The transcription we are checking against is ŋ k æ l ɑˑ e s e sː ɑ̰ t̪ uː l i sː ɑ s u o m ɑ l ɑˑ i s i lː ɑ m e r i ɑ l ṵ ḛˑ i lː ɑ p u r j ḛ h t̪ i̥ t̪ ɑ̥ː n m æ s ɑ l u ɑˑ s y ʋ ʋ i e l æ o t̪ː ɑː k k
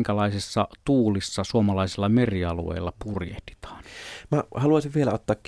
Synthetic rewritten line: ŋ k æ l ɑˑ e s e sː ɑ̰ t̪ uː l i sː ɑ s u o m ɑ l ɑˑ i s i lː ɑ m e r i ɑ l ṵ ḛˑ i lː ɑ p u r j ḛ h t̪ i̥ t̪ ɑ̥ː n m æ h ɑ l u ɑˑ s i ʋ ʋ i e l æ o t̪ː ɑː k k